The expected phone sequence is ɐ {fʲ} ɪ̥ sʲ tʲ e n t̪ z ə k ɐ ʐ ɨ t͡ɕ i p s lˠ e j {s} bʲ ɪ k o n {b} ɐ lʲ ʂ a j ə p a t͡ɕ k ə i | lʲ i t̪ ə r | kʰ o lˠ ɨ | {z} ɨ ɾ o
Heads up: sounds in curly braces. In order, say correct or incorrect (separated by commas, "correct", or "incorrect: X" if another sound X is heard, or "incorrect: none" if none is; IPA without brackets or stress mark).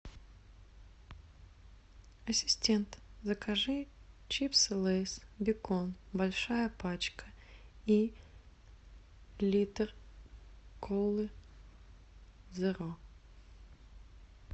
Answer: incorrect: sʲ, correct, correct, correct